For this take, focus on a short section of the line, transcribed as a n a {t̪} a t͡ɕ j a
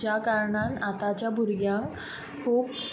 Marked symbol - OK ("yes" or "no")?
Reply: yes